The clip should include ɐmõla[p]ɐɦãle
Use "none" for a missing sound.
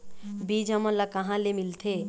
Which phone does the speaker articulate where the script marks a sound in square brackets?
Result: k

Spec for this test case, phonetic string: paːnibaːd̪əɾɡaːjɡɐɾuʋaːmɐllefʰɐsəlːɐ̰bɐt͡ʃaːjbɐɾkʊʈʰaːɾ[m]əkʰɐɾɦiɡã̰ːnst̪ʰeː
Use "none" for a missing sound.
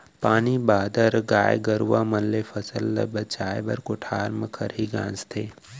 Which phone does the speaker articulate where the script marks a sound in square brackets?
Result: m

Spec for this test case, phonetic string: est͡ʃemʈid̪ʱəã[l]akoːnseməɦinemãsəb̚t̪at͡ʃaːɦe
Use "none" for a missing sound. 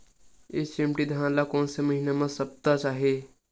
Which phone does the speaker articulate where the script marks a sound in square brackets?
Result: l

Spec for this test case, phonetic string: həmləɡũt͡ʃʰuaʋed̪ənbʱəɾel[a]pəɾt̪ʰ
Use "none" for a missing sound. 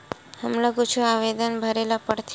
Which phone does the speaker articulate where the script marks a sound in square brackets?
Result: a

